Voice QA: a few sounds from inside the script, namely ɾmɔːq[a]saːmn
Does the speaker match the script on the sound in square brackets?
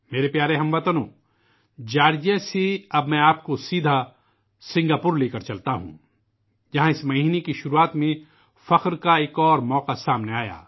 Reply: yes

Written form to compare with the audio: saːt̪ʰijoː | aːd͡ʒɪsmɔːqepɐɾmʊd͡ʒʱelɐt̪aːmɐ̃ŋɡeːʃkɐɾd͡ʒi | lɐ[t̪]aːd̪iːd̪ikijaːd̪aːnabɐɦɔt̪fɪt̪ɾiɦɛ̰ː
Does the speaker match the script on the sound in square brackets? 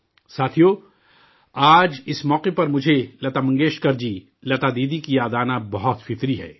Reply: yes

